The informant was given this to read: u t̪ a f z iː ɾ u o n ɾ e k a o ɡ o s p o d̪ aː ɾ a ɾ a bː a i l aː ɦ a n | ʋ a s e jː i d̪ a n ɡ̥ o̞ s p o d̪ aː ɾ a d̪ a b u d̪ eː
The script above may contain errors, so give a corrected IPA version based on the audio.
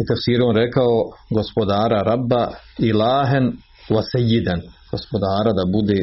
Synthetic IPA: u t̪ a f s iː ɾ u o n ɾ e k a o ɡ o s p o d̪ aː ɾ a ɾ a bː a i l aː ɦ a n | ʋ a s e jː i d̪ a n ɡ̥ o̞ s p o d̪ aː ɾ a d̪ a b u d̪ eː